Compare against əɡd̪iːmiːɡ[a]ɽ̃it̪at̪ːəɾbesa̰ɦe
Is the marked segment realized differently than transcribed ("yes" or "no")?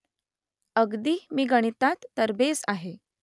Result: yes